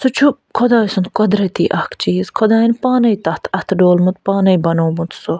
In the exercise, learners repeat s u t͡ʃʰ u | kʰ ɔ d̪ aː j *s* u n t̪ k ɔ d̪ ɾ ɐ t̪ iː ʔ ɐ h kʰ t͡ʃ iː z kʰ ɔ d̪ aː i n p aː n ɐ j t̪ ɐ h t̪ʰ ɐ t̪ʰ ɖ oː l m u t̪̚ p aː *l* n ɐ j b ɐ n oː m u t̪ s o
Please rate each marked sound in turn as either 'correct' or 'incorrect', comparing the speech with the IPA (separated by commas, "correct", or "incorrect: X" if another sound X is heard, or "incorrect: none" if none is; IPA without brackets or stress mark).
correct, incorrect: none